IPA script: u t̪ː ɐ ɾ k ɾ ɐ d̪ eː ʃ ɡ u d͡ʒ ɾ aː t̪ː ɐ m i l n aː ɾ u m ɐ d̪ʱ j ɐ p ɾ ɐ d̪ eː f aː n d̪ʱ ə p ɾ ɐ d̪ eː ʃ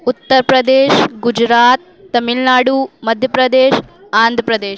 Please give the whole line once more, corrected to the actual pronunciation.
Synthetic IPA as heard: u t̪ː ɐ ɾ p ɾ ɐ d̪ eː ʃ ɡ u d͡ʒ ɾ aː t̪ː ɐ m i l n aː ɽ u m ɐ d̪ʱ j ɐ p ɾ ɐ d̪ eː ʃ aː n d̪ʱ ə p ɾ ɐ d̪ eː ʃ